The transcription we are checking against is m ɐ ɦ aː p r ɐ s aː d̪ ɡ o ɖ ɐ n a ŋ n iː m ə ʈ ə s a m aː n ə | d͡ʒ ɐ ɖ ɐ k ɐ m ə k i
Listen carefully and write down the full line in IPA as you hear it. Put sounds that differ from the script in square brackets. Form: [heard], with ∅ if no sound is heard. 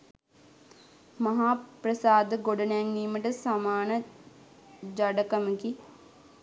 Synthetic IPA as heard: m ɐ ɦ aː p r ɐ s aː d̪ ɡ o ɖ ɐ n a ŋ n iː m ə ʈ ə s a m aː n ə | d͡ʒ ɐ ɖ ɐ k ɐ m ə k i